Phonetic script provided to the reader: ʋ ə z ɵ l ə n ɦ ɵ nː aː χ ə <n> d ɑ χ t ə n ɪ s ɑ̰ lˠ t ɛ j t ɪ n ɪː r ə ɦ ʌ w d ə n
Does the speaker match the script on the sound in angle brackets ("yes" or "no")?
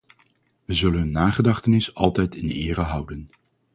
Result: no